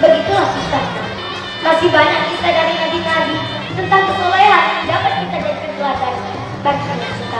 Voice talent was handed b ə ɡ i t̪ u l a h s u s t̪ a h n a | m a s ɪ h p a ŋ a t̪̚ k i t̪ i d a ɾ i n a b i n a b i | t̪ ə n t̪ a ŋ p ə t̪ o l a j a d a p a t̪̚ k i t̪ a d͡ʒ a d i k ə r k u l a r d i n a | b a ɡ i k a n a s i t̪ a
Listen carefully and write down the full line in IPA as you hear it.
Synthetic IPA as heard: b ə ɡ i t̪ u l a h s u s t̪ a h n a | m a s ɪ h b a ɲ a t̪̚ k i t̪ a d a ɾ i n a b i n a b i | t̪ ə n t̪ a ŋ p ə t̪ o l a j a d a p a t̪̚ k i t̪ a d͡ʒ a d i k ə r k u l a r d a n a | b a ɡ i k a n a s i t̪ a